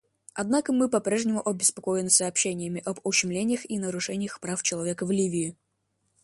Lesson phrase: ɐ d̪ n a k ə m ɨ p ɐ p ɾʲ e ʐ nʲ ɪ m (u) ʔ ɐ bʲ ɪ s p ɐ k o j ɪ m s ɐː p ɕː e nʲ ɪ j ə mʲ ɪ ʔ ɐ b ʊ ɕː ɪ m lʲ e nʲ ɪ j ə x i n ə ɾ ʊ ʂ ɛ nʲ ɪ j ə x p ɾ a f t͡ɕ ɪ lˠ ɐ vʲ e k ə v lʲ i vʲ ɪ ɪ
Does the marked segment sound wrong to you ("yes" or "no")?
yes